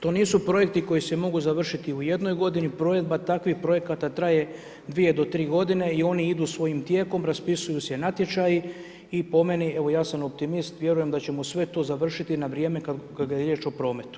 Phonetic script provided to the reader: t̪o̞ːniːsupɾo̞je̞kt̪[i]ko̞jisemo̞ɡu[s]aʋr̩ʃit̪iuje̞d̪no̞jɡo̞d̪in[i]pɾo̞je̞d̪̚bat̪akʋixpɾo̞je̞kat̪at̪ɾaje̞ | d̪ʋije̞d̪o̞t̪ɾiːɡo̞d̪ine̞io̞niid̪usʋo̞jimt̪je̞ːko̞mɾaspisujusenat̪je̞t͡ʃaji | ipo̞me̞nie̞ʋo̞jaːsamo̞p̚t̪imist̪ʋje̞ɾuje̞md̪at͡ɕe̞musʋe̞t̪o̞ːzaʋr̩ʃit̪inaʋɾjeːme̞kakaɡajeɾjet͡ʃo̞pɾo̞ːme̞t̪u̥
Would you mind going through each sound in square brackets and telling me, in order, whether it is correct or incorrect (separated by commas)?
correct, incorrect, correct